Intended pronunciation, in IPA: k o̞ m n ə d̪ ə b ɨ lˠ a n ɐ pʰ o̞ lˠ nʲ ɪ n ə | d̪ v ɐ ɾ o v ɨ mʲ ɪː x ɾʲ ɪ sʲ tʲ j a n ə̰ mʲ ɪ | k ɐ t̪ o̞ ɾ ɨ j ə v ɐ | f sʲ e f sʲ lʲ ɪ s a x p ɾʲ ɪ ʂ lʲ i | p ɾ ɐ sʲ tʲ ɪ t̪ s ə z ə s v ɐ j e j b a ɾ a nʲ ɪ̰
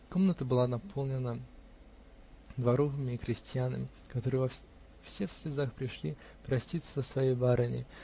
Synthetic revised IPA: k o̞ m n ə t̪ ə b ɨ lˠ a n ɐ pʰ o̞ lˠ nʲ ɪ n ə | d̪ v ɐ ɾ o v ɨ mʲ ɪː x ɾʲ ɪ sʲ tʲ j a n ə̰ mʲ ɪ | k ɐ t̪ o̞ ɾ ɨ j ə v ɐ | f sʲ e f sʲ lʲ ɪ z a x p ɾʲ ɪ ʂ lʲ i | p ɾ ɐ sʲ tʲ i t̪ s ə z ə s v ɐ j e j b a ɾ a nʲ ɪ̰

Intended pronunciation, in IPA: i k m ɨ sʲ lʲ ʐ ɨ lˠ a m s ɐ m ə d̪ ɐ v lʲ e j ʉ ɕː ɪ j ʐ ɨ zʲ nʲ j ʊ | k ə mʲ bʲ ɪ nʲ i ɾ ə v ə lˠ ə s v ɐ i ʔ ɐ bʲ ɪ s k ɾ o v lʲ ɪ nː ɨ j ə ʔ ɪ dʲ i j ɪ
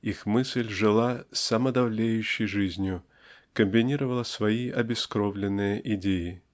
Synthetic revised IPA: i x m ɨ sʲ lʲ ʐ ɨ lˠ a s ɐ m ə d̪ ɐ v lʲ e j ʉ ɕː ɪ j ʐ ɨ zʲ nʲ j ʊ | k ə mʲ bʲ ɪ nʲ i ɾ ə v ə lˠ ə s v ɐ i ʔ ɐ bʲ ɪ s k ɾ o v lʲ ɪ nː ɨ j ə ʔ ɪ dʲ e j ɪ

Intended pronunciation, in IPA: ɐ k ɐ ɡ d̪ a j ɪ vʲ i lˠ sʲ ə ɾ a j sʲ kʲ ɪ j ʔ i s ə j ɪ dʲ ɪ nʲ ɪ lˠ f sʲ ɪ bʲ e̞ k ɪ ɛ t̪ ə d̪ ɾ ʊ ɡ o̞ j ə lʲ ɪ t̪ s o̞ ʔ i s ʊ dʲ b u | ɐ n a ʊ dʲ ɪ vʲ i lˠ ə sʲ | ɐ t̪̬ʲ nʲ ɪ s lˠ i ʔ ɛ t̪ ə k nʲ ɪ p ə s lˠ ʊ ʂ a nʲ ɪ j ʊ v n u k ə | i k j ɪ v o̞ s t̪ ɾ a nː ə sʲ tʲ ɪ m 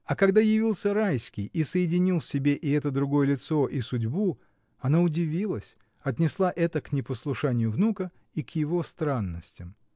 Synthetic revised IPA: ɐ k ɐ ɡ d̪ a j ɪ vʲ i lˠ sʲ ə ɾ a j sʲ kʲ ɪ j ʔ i s ə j ɪ dʲ ɪ nʲ i lˠ f sʲ ɪ bʲ e̞ ʔ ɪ ɛ t̪ ə d̪ ɾ ʊ ɡ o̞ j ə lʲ ɪ t̪ s o̞ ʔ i s ʊ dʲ b u | ɐ n a ʊ dʲ ɪ vʲ i lˠ ə sʲ | ɐ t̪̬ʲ nʲ ɪ s lˠ a ʔ ɛ t̪ ə k nʲ ɪ p ə s lˠ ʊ ʂ a nʲ ɪ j ʊ v n u k ə | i k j ɪ v o̞ s t̪ ɾ a nː ə sʲ tʲ ɪ m

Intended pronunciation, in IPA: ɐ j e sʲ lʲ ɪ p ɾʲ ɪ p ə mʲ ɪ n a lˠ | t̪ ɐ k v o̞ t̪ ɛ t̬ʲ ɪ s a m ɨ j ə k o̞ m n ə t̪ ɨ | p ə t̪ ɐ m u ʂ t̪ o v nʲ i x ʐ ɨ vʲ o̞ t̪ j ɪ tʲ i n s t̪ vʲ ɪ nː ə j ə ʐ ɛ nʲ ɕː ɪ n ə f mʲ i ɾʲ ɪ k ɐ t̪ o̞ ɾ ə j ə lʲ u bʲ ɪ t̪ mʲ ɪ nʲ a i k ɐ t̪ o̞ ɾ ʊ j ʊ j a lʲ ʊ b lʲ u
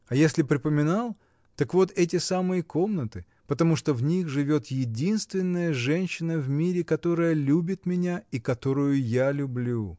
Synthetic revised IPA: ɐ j e sʲ lʲ ɪ p ɾʲ ɪ p ə mʲ ɪ n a lˠ | t̪ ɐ k v o̞ t̪ ɛ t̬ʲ ɪ s a m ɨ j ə k o̞ m n ə t̪ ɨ | p ə t̪ ɐ m u ʂ t̪ o v nʲ i x ʐ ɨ vʲ o̞ t̪ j ɪ dʲ i n s t̪ vʲ ɪ nː ə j ə ʐ ɛ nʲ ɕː ɪ n ə v mʲ i ɾʲ ɪ k ɐ t̪ o̞ ɾ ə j ə lʲ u bʲ ɪ t̪ mʲ ɪ nʲ a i k ɐ t̪ o̞ ɾ ʊ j ʊ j a lʲ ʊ b lʲ u

